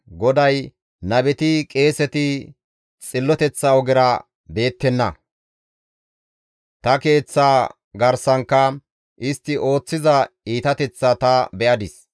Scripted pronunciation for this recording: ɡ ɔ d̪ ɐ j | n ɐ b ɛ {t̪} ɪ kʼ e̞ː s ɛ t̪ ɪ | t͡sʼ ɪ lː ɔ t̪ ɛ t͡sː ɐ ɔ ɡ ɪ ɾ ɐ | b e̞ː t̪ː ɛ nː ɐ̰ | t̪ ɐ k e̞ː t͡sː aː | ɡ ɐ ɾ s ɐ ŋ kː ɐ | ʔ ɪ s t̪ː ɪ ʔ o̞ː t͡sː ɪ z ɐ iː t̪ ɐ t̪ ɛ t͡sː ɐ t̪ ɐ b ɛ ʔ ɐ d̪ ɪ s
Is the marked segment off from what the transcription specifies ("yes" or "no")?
no